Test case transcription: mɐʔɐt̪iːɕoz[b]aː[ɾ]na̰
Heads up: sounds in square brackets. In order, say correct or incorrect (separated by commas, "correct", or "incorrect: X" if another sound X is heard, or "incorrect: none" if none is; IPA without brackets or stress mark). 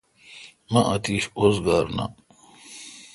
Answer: incorrect: ɡ, correct